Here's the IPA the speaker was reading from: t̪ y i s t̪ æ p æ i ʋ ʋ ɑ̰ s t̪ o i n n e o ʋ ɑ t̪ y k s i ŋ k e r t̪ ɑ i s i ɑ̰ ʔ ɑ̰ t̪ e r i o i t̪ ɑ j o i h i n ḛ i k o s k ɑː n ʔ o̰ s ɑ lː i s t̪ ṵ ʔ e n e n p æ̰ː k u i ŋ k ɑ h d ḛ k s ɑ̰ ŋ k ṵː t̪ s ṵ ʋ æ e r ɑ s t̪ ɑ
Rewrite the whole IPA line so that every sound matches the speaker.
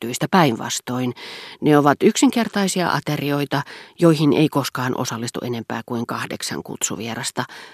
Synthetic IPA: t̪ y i s t̪ æ p æ i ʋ ʋ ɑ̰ s t̪ o i n n e o ʋ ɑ t̪ y k s i ŋ k e r t̪ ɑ i s i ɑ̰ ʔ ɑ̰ t̪ e r i o i t̪ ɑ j o i h i n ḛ i k o s k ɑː n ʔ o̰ s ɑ lː i s t̪ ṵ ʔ e n e m p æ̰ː k u i ŋ k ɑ h d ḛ k s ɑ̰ ŋ k ṵ t̪ s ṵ ʋ i e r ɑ s t̪ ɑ